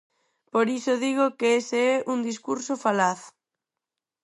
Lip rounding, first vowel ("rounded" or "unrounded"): rounded